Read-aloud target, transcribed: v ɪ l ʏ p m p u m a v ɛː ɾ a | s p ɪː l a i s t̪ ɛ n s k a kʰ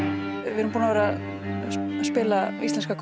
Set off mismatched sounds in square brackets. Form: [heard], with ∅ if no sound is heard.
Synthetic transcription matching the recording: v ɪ [ɾ] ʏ [∅] m p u [n] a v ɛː ɾ a | s p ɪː l a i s t̪ ɛ n s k a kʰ